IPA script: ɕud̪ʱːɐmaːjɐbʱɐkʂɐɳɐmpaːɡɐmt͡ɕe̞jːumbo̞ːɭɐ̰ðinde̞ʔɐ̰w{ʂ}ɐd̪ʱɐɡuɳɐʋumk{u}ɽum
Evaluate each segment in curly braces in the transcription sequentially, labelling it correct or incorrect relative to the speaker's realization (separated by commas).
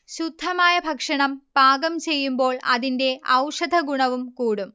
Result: correct, incorrect